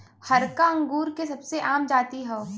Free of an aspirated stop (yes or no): yes